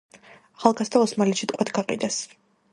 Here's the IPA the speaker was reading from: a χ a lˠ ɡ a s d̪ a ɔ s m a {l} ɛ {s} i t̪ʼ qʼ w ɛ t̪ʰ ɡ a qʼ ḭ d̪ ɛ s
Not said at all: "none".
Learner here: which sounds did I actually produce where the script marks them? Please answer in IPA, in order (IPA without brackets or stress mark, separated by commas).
l, ʃ